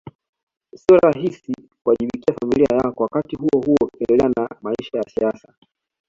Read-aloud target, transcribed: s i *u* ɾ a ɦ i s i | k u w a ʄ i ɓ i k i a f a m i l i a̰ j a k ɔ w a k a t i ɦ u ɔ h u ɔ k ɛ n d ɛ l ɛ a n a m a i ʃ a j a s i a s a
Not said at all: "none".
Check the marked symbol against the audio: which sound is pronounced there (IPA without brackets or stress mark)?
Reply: ɔ